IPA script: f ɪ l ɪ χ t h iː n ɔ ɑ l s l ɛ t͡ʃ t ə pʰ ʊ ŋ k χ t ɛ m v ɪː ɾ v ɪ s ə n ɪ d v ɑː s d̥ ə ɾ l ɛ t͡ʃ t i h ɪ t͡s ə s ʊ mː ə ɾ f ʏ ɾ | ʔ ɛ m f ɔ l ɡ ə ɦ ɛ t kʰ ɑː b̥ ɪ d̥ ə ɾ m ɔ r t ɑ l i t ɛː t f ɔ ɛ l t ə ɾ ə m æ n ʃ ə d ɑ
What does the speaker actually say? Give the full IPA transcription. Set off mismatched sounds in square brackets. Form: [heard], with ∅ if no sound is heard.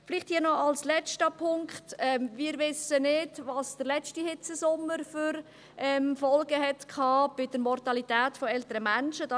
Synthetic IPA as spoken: f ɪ l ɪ χ t h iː n ɔ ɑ l s l ɛ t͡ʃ t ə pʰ ʊ ŋ k χ t ɛ m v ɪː ɾ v ɪ s ə n ɪ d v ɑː s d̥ ə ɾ l ɛ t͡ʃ t i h ɪ t͡s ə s ʊ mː ə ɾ f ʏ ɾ | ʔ ɛ m f ɔ l ɡ ə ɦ ɛ t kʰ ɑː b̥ ɪ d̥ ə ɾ m ɔ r t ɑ l i t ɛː t f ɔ ɛ l t ə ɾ ə m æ n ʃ ə d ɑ